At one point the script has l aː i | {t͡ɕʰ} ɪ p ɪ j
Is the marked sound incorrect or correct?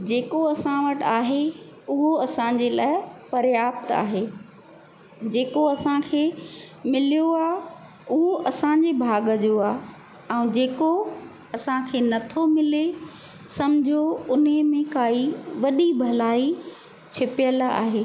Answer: correct